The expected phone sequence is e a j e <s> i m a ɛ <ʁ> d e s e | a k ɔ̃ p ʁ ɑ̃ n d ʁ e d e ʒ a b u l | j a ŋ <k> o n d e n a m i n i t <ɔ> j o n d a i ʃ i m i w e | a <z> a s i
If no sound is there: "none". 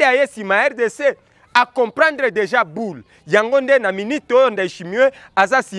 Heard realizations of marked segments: s, ʁ, ɡ, o, z

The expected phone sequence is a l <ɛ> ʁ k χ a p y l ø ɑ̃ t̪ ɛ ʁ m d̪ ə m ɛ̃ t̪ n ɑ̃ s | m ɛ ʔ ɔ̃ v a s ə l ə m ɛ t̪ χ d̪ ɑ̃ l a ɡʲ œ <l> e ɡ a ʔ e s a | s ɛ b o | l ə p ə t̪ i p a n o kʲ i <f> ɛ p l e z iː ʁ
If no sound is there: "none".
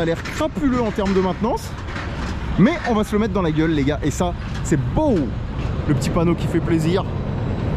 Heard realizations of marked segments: ɛ, lː, f

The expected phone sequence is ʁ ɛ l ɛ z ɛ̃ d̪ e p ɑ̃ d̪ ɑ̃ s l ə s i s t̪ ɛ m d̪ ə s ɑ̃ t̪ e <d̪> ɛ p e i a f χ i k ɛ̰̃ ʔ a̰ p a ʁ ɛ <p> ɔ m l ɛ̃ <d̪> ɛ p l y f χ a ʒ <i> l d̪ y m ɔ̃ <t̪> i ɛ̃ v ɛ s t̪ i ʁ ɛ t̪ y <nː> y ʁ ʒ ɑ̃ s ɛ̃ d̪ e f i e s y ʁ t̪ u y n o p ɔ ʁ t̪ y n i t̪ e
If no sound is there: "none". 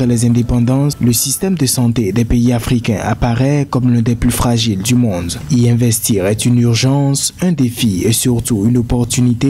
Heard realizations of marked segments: d̪, k, d̪, i, d̪, n

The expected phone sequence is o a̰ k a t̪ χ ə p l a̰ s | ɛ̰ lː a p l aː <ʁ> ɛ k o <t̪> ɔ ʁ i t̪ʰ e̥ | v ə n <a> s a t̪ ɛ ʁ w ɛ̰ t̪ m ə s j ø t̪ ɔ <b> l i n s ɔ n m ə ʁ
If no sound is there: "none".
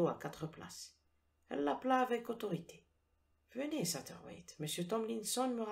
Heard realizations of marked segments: v, t̪, e, m

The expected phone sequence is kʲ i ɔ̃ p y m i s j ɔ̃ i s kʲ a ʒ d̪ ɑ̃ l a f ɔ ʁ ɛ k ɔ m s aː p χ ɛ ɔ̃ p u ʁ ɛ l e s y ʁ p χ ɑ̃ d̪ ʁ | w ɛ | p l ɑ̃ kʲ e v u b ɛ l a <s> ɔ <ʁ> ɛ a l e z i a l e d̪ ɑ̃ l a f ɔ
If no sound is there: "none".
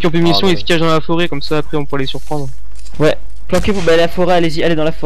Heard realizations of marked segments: f, ʁ

